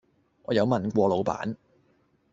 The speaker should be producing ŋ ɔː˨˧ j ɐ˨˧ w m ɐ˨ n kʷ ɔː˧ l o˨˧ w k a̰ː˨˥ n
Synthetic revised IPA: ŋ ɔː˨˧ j ɐ˨˧ w m ɐ˨ n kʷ ɔː˧ l o˨˧ w p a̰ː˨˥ n